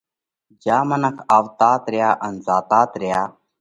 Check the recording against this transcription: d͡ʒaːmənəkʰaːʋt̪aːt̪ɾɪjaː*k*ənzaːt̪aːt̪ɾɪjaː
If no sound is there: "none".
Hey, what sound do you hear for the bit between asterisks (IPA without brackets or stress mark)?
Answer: ʔ